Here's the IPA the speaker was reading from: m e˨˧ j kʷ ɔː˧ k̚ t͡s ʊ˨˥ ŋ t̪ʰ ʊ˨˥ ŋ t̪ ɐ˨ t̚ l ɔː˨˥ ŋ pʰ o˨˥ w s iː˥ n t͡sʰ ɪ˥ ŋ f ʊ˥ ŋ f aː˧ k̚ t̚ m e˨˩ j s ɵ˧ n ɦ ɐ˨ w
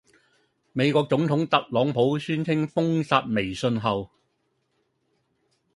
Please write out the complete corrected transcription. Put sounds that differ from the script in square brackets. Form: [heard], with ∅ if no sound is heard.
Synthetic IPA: m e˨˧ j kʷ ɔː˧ k̚ t͡s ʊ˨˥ ŋ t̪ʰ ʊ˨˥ ŋ t̪ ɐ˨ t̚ l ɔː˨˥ ŋ pʰ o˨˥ w s [yː˥] n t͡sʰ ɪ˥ ŋ f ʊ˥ ŋ [s] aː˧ [∅] t̚ m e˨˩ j s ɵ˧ n ɦ ɐ˨ w